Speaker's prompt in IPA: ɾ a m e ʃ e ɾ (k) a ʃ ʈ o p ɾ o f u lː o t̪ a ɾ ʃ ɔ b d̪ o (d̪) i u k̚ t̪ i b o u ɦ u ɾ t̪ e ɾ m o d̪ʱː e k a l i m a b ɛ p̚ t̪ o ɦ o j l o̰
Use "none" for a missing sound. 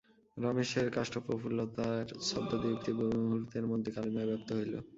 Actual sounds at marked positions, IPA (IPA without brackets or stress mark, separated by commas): k, d̪